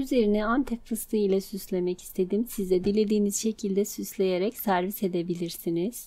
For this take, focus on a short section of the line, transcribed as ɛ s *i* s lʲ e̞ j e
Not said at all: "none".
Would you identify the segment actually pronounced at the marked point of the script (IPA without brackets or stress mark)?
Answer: y